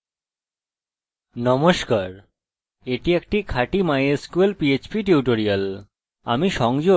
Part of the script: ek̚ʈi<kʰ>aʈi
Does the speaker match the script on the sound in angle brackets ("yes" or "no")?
yes